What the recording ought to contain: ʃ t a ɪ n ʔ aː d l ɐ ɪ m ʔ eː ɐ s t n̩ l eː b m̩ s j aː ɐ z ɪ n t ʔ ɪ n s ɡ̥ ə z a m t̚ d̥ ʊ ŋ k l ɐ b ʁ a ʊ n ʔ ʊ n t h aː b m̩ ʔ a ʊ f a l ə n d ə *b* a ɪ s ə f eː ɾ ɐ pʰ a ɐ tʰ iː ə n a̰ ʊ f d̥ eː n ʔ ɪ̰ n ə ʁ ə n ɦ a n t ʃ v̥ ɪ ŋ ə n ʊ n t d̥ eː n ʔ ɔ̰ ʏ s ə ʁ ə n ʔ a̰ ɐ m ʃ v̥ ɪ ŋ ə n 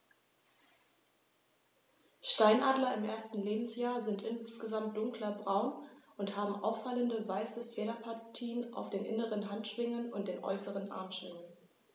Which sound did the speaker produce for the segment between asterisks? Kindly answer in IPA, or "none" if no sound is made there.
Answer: v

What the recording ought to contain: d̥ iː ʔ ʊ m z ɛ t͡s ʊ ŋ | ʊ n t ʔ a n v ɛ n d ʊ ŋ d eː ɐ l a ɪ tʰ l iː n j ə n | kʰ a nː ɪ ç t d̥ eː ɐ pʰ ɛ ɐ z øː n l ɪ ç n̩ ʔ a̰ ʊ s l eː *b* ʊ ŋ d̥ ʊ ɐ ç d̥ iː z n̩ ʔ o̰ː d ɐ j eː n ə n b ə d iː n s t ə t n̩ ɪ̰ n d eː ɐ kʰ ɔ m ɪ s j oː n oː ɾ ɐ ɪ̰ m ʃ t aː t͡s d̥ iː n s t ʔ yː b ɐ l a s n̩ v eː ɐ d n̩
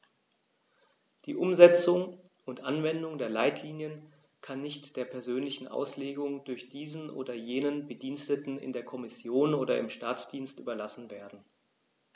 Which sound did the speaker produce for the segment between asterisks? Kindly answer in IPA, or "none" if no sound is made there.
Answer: ɡ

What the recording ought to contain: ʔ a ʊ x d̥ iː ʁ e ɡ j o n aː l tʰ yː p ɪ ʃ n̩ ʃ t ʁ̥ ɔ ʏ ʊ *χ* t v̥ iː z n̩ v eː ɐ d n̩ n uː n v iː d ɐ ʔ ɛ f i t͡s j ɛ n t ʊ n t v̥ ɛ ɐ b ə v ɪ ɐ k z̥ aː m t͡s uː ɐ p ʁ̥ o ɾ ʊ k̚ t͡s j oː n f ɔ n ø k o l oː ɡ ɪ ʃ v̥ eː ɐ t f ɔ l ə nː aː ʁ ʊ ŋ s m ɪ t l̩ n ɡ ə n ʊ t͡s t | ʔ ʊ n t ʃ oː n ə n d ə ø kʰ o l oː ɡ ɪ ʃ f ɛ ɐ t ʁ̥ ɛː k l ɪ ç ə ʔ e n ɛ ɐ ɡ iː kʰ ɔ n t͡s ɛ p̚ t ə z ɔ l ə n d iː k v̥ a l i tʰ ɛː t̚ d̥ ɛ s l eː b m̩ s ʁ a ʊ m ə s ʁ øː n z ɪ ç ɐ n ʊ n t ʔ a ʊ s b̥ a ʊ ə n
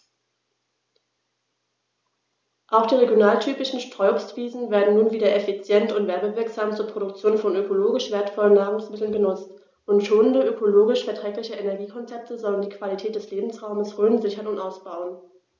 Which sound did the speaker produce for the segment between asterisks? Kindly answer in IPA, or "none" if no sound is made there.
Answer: s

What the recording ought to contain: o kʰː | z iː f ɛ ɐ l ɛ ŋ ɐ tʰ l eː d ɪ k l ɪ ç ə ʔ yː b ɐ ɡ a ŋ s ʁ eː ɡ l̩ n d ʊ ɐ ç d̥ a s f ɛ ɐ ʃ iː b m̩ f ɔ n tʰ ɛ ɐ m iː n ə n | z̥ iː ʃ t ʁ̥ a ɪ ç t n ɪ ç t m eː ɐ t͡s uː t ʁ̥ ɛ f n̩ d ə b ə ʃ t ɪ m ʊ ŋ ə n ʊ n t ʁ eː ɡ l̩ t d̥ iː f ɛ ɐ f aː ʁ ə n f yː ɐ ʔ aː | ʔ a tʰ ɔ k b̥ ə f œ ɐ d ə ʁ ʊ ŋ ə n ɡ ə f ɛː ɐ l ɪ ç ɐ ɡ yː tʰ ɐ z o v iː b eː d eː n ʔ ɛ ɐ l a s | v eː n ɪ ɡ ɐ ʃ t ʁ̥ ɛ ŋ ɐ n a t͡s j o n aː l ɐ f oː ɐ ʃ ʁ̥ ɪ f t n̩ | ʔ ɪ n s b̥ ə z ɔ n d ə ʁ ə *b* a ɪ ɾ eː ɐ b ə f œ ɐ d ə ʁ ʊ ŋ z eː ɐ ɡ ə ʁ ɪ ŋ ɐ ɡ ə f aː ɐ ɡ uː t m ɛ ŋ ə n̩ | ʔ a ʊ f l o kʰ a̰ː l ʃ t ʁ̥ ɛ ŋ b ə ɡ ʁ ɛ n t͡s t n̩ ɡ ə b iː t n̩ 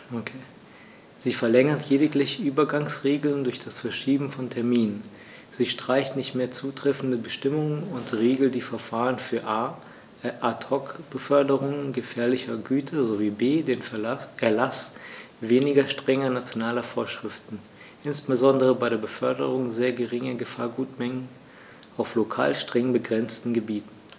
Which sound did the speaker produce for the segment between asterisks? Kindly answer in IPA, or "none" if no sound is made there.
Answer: b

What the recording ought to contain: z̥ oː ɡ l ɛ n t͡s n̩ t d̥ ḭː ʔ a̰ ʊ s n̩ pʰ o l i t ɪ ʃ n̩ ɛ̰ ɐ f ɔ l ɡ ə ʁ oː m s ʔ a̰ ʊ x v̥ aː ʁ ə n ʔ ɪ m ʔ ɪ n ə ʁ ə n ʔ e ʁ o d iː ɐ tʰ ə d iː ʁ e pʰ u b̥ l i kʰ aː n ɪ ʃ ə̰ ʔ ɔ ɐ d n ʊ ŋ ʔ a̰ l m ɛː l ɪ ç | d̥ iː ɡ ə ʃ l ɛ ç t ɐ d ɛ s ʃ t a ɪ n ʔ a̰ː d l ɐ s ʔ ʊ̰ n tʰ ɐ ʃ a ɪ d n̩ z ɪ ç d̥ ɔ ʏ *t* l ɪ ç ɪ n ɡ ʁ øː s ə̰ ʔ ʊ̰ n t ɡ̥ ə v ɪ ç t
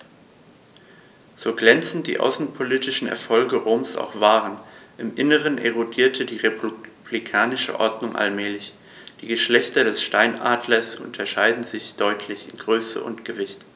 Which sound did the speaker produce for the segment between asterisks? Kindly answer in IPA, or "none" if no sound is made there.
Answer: tʰ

